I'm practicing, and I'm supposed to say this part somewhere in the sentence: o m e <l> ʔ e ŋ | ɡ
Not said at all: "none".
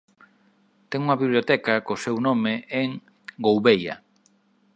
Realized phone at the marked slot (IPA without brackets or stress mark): none